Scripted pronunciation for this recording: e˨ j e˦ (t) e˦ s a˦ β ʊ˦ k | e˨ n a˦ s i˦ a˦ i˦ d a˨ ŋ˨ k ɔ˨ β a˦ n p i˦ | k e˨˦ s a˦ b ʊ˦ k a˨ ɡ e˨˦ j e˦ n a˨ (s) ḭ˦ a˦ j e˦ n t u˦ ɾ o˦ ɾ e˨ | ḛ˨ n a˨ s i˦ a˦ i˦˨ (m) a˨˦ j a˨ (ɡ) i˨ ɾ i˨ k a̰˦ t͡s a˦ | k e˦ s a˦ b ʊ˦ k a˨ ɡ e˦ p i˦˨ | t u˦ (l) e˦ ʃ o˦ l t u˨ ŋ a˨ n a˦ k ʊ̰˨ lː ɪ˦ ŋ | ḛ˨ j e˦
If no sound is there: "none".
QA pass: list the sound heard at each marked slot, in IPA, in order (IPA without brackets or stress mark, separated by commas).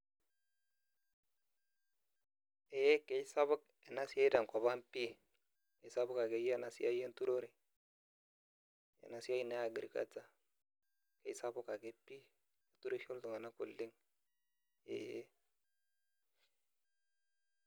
k, s, n, ɡ, ɾ